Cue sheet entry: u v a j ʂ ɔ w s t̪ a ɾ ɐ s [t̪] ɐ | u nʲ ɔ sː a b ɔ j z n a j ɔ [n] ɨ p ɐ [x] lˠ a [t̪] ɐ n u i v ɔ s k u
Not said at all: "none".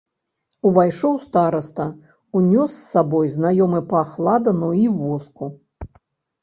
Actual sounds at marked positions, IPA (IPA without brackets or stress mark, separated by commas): t̪, m, x, d̪